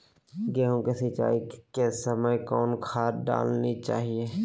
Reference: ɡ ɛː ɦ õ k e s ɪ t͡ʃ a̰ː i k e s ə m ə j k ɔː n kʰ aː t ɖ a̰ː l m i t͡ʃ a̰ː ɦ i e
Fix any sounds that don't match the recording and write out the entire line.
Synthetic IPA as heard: ɡ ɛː ɦ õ k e s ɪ t͡ʃ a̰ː i k e s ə m ə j k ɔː n kʰ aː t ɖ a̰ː l n i t͡ʃ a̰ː ɦ i e